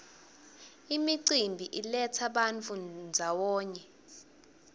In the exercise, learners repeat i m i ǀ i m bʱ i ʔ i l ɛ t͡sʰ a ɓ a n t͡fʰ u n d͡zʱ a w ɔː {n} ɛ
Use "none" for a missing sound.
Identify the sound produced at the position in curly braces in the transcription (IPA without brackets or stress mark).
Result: ɲ